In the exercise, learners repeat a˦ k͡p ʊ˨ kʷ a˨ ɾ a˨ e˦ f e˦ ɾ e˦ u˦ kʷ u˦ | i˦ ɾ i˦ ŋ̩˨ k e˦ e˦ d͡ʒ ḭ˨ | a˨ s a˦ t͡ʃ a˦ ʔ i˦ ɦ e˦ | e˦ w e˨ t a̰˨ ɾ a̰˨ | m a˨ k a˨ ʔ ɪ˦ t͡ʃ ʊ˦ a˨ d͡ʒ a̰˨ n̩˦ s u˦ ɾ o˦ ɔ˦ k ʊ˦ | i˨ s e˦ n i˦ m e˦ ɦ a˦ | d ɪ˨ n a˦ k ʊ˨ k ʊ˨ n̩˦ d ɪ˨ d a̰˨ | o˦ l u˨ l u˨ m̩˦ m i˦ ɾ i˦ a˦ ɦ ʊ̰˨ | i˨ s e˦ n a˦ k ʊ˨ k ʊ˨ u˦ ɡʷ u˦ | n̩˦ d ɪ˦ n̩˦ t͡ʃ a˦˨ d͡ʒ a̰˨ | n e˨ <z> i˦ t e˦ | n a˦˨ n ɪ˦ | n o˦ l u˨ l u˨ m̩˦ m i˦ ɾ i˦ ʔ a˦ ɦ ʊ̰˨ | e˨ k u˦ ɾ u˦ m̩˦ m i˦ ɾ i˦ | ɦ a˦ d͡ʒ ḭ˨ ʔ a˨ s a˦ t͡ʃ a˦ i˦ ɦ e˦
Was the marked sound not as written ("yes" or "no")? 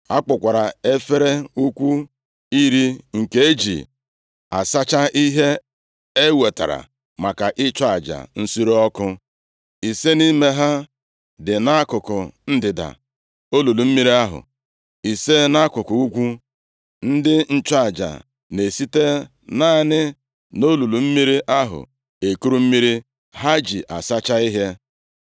yes